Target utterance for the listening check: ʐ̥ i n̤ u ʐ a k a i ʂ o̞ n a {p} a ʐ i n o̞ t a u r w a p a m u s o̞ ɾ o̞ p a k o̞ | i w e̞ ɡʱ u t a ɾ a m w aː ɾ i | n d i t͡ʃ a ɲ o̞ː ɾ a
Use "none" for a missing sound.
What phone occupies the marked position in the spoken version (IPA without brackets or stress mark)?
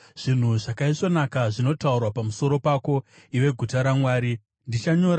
k